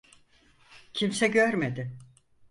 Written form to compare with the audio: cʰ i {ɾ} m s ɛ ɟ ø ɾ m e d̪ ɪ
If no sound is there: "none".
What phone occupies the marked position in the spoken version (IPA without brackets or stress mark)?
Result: none